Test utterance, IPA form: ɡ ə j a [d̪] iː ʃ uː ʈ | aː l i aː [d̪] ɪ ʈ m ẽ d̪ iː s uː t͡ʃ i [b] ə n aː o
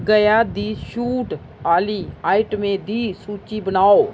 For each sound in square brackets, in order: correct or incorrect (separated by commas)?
correct, incorrect, correct